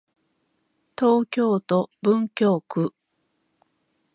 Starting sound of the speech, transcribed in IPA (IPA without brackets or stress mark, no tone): t̪